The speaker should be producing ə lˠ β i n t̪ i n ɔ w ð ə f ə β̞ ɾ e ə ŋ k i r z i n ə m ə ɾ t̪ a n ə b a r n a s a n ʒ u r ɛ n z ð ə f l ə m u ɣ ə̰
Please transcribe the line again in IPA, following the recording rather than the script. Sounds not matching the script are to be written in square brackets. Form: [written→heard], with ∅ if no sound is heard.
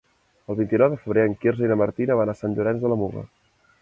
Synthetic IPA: ə lˠ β i n t̪ i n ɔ w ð ə f ə β̞ ɾ e ə ŋ k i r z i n ə m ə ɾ t̪ [a→i] n ə [b→β] a [r→∅] n a s a n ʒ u [r→ɾ] ɛ n z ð ə [f→∅] l ə m u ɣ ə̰